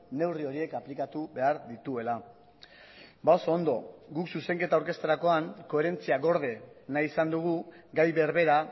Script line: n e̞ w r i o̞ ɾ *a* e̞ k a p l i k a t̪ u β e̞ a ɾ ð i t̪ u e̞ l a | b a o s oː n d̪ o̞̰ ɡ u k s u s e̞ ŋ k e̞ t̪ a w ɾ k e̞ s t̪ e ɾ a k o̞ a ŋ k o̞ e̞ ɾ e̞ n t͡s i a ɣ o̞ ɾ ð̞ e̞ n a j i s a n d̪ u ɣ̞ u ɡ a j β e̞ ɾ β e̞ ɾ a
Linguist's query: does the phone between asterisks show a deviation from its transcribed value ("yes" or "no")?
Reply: yes